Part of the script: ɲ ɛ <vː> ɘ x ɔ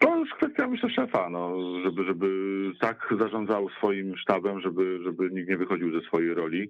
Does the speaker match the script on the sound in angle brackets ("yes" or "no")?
no